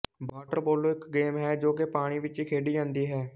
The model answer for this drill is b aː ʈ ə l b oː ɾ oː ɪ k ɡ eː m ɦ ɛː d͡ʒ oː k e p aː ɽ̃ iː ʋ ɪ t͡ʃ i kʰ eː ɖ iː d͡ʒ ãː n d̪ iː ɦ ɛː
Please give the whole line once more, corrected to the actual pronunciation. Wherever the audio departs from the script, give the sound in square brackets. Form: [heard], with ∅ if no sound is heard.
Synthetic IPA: b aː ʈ ə [ɾ] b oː [l] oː ɪ k ɡ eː m ɦ ɛː d͡ʒ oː k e p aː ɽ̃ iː ʋ ɪ t͡ʃ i kʰ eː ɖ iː d͡ʒ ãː n d̪ iː ɦ ɛː